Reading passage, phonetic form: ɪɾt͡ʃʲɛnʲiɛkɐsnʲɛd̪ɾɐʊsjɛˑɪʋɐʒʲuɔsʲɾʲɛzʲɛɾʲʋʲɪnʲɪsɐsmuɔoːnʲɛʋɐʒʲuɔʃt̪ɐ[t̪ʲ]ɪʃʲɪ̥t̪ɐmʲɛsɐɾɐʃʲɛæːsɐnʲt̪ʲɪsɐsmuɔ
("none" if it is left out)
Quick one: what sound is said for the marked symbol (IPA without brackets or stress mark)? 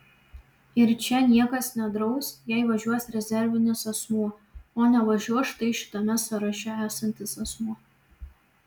none